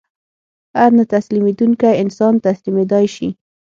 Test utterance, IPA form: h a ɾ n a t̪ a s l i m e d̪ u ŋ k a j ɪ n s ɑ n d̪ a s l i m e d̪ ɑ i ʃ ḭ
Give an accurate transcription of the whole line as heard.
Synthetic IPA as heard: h a ɾ n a t̪ a s l i m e d̪ u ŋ k a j ɪ n s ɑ n t̪ a s l i m e d̪ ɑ j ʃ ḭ